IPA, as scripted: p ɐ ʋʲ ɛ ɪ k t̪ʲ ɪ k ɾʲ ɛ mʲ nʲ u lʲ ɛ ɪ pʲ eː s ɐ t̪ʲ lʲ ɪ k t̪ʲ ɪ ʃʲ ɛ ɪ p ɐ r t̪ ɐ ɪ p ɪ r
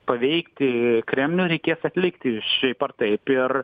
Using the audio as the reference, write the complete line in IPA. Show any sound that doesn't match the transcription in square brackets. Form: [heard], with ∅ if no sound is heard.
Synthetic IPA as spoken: p ɐ ʋʲ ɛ ɪ k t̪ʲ ɪ k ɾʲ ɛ mʲ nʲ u [ɾʲ] ɛ ɪ [kʲ] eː s ɐ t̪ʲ lʲ ɪ k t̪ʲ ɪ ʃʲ ɛ ɪ p ɐ r t̪ ɐ ɪ p ɪ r